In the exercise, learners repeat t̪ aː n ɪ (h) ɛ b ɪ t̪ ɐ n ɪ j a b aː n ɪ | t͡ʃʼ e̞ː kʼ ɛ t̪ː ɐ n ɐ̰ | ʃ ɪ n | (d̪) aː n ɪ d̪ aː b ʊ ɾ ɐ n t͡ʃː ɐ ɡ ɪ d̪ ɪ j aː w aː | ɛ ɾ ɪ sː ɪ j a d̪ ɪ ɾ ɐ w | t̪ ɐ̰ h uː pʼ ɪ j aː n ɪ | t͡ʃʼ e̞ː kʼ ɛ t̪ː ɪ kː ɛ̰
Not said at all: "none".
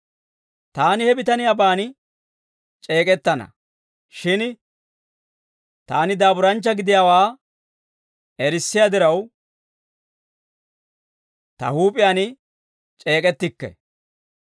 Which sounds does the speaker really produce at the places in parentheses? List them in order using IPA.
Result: h, t̪

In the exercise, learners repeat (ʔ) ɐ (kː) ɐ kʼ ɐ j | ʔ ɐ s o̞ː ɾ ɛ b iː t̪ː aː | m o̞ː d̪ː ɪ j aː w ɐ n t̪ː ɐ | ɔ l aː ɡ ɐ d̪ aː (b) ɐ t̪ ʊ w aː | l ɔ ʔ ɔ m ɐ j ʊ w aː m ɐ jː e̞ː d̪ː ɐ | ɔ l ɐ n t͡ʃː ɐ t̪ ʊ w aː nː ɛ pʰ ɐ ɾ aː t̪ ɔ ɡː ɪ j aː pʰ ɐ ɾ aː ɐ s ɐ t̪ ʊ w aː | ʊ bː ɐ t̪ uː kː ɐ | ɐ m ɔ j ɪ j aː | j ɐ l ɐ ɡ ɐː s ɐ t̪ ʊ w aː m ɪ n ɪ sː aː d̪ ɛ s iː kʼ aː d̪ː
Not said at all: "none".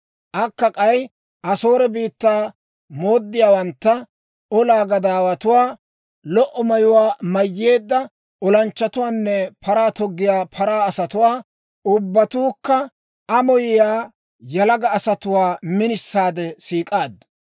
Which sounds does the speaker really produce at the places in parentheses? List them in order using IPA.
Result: ʔ, kː, w

